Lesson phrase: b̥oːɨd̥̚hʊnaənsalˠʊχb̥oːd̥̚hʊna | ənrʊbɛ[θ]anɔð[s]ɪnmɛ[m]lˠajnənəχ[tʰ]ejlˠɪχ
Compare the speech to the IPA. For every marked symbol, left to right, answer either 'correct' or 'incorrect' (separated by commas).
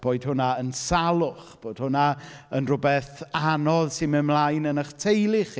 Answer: correct, correct, correct, correct